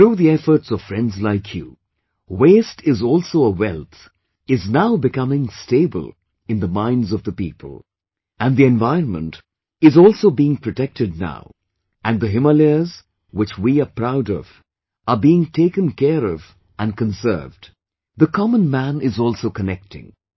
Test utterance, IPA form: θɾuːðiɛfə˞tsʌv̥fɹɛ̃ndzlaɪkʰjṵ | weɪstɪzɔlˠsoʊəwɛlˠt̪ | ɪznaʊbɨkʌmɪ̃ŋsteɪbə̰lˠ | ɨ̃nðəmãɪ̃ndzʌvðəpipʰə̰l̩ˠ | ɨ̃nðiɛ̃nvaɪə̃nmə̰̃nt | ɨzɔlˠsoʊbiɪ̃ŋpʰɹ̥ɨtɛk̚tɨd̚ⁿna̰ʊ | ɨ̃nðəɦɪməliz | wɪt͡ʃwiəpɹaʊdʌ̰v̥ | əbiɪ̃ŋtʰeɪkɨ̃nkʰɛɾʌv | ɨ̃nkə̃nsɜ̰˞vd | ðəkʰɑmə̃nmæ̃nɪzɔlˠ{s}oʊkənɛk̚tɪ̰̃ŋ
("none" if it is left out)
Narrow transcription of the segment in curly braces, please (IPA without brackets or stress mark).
s